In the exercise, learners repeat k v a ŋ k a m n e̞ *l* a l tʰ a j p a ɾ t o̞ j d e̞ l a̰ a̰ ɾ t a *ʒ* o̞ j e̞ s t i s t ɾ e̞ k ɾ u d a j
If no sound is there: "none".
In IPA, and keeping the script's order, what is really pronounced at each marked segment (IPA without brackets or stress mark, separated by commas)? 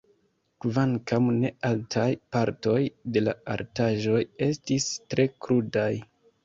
none, ʒ